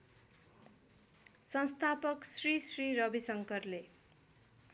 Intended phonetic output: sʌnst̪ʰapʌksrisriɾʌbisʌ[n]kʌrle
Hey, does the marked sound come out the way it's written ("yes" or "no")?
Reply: no